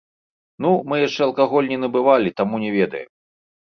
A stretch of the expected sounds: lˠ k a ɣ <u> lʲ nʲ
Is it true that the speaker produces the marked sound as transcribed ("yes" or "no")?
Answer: no